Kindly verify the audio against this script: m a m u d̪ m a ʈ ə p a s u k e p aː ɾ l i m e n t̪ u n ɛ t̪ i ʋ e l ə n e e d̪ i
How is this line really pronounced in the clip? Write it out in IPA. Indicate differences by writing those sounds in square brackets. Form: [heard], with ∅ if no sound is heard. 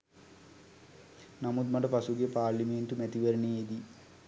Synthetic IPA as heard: [n] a m u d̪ m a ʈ ə p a s u [ɡ] e p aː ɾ l i m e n t̪ u [m] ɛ t̪ i ʋ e [ɾ] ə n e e d̪ i